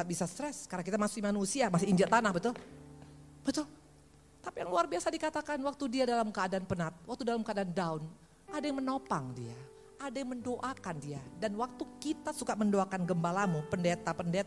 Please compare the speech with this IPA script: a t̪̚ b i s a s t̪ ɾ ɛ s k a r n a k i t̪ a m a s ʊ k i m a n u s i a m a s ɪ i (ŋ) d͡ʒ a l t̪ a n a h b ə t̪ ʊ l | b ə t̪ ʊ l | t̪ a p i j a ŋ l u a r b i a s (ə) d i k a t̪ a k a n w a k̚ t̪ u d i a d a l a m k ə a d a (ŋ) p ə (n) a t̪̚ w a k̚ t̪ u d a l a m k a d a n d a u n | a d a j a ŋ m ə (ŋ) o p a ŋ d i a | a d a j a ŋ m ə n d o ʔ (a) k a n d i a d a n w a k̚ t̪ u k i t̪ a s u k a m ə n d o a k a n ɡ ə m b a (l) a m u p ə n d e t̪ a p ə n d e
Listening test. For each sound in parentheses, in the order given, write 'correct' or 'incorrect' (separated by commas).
incorrect, incorrect, incorrect, correct, incorrect, correct, correct